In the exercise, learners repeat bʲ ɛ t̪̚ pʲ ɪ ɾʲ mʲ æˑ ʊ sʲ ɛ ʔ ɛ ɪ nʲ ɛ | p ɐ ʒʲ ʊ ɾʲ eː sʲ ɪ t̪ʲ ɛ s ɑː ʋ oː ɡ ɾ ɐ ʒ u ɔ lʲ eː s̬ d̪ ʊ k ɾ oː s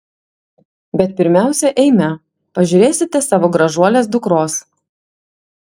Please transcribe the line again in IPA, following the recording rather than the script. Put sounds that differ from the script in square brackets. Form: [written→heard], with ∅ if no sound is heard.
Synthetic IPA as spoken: bʲ ɛ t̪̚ pʲ ɪ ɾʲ mʲ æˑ ʊ sʲ ɛ ʔ ɛ ɪ [nʲ→mʲ] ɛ | p ɐ ʒʲ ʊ ɾʲ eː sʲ ɪ t̪ʲ ɛ s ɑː ʋ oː ɡ ɾ ɐ ʒ u ɔ lʲ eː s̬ d̪ ʊ k ɾ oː s